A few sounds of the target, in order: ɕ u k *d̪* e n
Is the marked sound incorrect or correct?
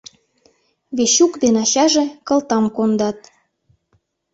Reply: correct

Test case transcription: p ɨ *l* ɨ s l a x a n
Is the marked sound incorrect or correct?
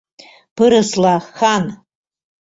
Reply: incorrect: ɾ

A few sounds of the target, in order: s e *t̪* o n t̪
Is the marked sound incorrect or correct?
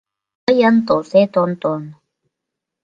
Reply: correct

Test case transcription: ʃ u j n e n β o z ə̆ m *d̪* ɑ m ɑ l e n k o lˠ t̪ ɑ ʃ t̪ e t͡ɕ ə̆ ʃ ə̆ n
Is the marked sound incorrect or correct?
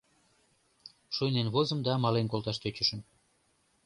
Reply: correct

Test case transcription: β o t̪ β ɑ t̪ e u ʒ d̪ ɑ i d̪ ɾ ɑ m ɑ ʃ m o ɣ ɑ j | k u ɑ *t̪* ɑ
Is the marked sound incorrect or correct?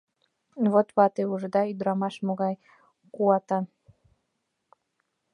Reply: correct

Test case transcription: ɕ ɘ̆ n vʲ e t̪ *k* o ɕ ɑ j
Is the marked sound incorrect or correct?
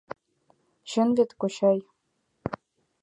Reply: correct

